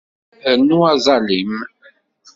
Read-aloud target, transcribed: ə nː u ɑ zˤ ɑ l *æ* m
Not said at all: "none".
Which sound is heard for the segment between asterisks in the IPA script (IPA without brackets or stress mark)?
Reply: i